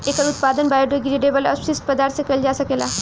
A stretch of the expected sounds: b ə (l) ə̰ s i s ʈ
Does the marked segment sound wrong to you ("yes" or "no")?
no